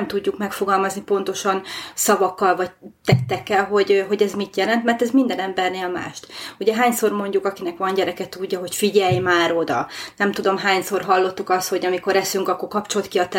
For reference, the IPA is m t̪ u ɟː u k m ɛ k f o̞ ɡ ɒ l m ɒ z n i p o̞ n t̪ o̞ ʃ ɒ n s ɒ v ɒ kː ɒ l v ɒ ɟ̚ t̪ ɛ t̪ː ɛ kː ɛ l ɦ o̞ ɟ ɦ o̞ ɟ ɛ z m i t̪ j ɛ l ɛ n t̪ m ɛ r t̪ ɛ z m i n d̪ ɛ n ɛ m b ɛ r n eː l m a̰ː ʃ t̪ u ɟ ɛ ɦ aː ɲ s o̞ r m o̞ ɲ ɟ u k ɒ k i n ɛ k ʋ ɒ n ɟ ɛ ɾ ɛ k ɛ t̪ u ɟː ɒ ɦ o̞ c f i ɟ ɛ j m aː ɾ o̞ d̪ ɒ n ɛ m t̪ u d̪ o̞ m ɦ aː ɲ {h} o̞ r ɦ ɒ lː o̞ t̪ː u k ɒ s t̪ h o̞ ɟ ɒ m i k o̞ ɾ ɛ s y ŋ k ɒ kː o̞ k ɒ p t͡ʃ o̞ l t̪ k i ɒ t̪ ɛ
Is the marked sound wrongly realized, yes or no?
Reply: yes